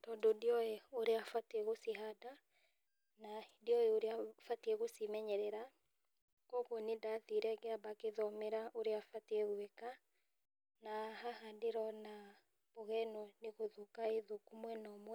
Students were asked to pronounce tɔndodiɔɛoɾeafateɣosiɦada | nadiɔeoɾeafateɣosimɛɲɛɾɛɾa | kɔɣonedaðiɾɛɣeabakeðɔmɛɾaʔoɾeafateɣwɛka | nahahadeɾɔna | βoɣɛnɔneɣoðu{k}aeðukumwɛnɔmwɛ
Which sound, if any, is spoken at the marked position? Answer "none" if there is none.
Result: k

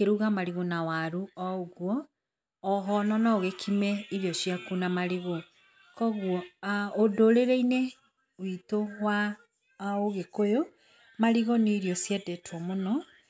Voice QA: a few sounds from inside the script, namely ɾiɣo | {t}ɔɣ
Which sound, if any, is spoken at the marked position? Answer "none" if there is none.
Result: k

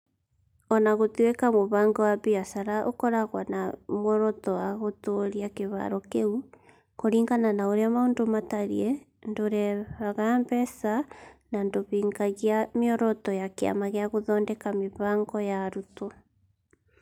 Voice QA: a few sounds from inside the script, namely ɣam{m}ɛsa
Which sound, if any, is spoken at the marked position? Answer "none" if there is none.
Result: b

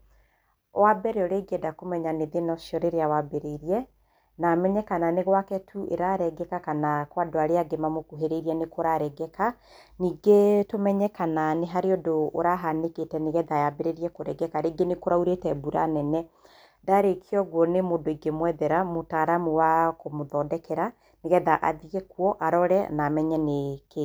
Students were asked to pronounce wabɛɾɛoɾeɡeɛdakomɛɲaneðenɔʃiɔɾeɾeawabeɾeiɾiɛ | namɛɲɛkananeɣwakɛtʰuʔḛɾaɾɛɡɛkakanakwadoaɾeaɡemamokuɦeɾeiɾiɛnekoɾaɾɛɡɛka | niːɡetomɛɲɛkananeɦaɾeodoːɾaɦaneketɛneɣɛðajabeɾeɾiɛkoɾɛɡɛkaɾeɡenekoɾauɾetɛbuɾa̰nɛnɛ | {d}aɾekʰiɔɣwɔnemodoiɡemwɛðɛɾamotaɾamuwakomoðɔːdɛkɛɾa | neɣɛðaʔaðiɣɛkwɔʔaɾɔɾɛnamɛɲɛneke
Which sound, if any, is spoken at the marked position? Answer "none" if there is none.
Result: d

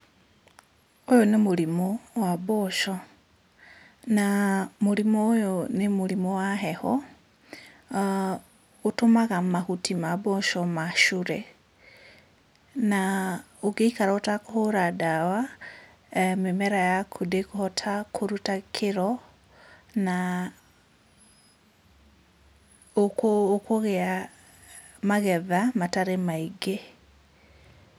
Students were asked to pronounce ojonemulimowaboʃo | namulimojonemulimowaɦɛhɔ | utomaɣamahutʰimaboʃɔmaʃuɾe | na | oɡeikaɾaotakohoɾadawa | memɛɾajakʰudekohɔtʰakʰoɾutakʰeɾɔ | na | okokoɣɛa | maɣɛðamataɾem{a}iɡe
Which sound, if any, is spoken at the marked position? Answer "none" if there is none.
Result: a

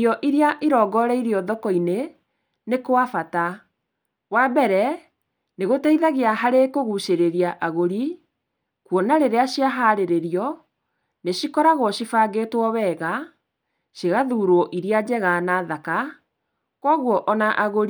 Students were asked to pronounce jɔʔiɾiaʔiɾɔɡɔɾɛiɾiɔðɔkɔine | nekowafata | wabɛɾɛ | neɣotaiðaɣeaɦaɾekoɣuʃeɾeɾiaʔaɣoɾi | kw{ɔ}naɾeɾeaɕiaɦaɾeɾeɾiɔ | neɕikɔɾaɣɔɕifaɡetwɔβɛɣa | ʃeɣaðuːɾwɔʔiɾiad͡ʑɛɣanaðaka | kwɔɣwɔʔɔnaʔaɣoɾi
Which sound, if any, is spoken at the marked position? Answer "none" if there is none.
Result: ɔ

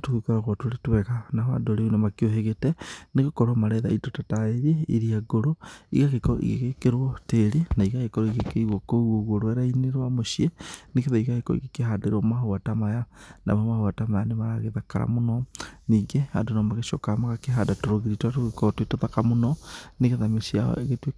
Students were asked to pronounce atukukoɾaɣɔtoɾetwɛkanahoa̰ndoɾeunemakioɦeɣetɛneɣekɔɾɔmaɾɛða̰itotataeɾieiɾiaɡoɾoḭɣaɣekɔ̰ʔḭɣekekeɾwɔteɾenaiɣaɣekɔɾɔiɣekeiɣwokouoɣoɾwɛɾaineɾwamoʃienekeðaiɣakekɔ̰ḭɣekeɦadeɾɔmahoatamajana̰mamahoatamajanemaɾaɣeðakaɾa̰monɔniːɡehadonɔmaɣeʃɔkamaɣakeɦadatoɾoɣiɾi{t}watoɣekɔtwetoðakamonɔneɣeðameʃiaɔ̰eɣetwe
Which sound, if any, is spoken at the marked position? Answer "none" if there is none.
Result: t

